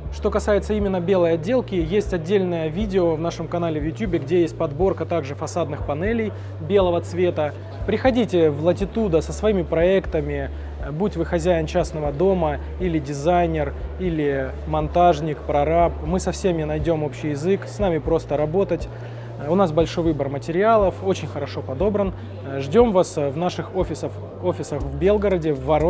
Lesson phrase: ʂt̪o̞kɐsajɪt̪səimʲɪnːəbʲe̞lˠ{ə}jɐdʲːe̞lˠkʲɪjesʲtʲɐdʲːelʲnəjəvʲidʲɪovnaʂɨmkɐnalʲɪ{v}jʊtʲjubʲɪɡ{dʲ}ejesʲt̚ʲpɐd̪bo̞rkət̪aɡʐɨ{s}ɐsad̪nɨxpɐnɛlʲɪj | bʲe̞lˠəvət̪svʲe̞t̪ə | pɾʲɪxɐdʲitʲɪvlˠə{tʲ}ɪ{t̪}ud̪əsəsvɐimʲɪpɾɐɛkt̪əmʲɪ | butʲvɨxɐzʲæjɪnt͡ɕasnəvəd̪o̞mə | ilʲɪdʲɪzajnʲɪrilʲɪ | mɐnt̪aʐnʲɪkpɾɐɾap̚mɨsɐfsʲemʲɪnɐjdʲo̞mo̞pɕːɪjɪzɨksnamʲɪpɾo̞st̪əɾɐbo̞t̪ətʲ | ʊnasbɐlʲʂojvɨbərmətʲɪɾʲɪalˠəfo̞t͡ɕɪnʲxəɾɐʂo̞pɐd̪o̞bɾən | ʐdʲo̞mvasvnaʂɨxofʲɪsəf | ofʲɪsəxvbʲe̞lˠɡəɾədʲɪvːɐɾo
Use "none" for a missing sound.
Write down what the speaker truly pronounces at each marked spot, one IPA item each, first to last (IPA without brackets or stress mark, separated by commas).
ə, v, dʲ, f, tʲ, t̪